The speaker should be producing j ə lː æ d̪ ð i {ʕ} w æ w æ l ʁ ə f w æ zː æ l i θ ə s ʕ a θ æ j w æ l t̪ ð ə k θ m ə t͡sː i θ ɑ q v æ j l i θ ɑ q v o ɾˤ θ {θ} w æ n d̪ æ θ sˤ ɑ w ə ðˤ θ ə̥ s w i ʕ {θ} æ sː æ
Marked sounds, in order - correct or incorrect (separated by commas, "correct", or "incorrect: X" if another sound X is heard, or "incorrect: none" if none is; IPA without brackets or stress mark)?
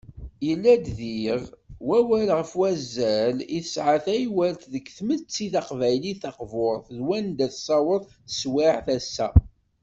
incorrect: ʁ, incorrect: ð, correct